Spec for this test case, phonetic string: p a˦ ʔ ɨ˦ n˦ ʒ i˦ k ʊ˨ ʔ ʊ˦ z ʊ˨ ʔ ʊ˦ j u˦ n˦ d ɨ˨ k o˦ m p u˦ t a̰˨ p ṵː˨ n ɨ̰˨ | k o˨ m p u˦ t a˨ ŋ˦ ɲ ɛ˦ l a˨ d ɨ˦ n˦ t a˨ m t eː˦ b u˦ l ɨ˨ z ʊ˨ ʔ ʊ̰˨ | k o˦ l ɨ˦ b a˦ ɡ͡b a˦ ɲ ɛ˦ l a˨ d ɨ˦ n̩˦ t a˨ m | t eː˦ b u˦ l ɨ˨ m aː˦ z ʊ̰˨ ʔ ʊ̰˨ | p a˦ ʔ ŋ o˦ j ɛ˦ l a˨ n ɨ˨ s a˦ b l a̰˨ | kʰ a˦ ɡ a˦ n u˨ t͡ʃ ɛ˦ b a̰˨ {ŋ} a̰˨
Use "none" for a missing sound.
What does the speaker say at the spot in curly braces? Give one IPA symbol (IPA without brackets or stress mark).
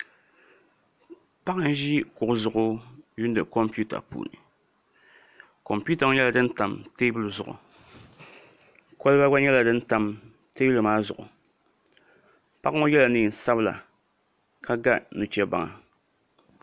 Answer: ŋ